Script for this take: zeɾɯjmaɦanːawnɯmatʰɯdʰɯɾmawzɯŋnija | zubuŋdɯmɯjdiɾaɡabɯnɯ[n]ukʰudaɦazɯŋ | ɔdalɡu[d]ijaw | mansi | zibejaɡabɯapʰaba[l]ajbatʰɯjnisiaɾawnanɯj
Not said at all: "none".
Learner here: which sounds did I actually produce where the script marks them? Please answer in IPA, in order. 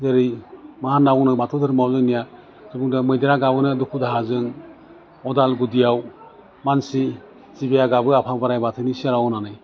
d, d, ɾ

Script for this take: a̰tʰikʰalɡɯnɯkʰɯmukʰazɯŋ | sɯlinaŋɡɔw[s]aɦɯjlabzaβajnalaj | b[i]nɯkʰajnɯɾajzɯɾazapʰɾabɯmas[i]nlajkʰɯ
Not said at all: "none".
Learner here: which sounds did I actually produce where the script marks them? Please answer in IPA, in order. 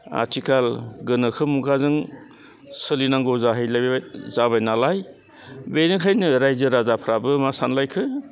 z, e, a

